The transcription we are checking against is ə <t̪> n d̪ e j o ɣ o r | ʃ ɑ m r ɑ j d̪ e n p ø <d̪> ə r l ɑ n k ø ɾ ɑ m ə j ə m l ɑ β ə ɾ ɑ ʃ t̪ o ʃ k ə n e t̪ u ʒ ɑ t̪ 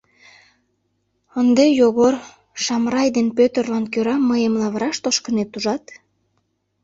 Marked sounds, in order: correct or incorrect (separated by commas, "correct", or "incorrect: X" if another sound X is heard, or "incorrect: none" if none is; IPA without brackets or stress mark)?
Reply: incorrect: none, incorrect: t̪